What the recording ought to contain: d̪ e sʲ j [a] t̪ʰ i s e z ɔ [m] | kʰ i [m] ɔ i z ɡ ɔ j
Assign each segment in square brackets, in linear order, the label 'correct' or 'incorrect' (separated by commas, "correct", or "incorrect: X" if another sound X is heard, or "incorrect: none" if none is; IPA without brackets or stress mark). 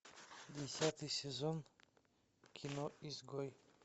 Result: correct, incorrect: n, incorrect: n